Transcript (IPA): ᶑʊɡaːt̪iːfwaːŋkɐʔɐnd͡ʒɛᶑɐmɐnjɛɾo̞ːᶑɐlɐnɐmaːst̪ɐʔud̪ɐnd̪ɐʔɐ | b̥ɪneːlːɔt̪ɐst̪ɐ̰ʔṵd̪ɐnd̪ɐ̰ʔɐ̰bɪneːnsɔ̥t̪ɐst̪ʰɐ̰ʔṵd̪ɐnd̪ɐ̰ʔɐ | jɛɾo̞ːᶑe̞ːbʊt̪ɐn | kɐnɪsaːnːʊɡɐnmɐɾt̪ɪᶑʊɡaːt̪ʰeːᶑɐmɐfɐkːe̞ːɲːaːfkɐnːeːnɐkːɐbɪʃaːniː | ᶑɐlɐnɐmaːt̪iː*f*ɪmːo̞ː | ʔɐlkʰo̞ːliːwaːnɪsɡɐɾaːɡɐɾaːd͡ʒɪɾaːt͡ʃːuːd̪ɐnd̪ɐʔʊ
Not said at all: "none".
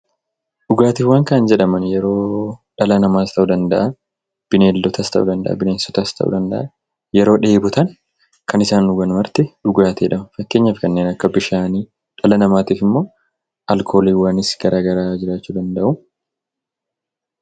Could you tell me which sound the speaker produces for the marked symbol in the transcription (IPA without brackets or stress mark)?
f